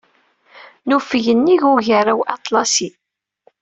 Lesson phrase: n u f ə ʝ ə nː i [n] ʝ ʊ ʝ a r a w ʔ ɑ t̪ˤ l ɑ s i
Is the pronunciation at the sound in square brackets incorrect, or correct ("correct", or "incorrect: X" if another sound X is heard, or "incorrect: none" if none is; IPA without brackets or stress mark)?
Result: incorrect: none